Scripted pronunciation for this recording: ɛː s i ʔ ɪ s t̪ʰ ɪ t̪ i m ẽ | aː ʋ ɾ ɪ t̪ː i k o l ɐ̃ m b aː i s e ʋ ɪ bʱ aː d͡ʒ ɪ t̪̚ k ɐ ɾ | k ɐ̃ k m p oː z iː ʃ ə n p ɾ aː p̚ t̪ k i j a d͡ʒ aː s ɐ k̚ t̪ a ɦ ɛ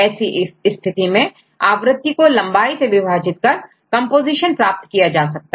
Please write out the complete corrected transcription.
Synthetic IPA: ɛː s i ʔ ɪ s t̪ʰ ɪ t̪ i m ẽ | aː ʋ ɾ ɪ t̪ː i k o l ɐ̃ m b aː i s e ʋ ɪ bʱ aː d͡ʒ ɪ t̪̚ k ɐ ɾ | k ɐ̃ m p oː z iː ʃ ə n p ɾ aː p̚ t̪ k i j a d͡ʒ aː s ɐ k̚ t̪ a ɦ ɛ